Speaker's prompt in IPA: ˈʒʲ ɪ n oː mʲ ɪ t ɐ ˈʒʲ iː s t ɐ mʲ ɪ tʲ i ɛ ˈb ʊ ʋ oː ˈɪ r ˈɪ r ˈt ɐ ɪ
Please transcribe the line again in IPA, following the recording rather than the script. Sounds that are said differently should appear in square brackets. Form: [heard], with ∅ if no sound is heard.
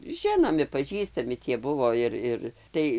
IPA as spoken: ˈʒʲ ɪ n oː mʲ ɪ [p] ɐ ˈʒʲ iː s t ɐ mʲ ɪ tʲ i ɛ ˈb ʊ ʋ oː ˈɪ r ˈɪ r ˈt ɐ ɪ